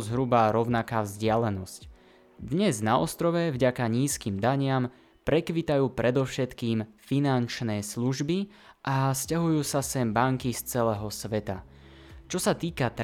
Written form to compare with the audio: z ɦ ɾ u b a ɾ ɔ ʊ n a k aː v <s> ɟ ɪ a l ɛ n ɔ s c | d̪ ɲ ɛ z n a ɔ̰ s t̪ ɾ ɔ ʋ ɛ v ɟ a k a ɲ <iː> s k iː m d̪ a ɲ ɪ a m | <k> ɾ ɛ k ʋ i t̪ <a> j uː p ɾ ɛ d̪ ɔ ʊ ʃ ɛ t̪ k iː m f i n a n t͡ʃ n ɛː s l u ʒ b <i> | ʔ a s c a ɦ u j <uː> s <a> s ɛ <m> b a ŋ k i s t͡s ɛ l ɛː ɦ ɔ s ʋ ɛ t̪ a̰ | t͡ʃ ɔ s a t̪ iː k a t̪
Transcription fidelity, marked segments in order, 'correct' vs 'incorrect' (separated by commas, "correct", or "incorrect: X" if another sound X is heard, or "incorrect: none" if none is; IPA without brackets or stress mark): incorrect: z, correct, incorrect: p, correct, correct, correct, correct, correct